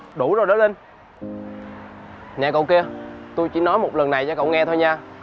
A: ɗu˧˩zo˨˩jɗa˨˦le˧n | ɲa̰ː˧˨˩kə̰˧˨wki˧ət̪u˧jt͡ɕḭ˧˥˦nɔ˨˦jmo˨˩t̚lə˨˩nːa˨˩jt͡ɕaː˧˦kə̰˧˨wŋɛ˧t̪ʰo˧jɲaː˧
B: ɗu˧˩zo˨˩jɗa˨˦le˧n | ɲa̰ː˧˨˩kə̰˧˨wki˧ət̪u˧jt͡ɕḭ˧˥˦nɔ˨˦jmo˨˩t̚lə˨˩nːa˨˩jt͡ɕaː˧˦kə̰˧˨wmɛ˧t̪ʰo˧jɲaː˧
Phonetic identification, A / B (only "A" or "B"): A